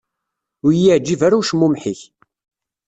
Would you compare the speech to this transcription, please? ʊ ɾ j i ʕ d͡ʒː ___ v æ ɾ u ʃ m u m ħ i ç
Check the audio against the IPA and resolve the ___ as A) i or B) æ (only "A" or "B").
A